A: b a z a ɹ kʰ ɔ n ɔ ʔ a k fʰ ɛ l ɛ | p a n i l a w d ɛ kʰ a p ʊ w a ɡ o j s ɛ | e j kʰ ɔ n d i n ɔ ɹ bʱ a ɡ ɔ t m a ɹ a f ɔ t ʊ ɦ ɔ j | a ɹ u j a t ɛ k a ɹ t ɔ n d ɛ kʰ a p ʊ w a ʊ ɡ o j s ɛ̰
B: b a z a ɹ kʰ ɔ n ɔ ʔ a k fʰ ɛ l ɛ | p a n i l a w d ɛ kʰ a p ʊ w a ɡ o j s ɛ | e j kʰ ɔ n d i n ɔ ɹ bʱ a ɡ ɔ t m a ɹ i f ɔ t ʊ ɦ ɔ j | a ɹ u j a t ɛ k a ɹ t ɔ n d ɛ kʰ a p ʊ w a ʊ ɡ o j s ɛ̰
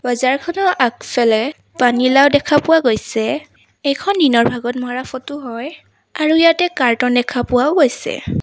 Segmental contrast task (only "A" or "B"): A